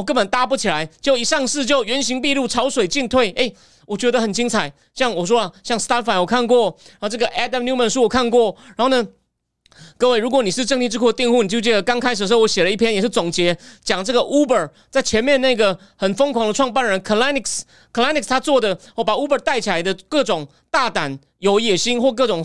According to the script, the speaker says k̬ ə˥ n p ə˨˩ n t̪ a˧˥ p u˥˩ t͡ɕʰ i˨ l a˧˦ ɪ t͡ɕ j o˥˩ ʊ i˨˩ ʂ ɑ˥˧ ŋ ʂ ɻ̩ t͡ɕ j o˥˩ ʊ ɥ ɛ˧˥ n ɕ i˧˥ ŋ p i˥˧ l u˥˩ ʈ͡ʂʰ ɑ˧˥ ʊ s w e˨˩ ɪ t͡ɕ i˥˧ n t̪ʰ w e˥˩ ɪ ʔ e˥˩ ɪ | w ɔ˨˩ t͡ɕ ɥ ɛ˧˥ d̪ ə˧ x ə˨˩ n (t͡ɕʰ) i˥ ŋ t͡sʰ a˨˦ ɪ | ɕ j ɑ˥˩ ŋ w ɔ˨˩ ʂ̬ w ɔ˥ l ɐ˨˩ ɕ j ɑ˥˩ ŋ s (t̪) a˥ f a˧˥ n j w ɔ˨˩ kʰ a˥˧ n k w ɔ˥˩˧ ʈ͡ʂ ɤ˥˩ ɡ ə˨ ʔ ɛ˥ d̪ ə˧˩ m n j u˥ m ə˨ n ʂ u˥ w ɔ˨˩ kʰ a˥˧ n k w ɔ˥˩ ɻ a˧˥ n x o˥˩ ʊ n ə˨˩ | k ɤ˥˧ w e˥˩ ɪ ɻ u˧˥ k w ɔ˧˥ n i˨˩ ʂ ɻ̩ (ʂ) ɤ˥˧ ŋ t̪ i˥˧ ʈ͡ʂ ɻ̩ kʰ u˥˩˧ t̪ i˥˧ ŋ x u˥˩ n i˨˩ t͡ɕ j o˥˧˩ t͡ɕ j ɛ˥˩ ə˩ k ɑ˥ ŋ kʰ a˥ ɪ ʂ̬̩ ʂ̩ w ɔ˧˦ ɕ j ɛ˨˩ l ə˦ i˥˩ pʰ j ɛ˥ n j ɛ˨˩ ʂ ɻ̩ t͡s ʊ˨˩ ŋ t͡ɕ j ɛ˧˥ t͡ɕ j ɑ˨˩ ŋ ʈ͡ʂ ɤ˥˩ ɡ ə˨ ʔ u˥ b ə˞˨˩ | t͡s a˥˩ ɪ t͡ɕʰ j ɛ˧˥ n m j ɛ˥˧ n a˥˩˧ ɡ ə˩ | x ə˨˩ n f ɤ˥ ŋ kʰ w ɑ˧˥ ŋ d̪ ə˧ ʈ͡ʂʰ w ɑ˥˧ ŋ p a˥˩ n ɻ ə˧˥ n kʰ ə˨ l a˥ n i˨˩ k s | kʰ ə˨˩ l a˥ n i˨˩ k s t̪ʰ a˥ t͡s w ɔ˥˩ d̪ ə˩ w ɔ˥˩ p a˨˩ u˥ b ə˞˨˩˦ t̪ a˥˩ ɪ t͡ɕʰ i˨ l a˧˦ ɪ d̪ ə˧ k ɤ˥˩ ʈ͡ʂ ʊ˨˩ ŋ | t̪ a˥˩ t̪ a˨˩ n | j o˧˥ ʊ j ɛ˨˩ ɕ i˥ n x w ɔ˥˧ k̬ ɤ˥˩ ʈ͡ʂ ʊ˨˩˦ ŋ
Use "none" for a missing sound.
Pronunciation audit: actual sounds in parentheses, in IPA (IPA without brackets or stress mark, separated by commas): t͡ɕ, t̪, ʈ͡ʂ